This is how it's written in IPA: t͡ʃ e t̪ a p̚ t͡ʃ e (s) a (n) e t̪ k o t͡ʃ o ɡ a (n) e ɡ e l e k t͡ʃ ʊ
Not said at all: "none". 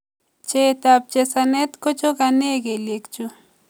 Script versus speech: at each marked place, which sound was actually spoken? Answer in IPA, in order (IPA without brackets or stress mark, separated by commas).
s, n, n